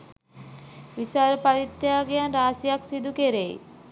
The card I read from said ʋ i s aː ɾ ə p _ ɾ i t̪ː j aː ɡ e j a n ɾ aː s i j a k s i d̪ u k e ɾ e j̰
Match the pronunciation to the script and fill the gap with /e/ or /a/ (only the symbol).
a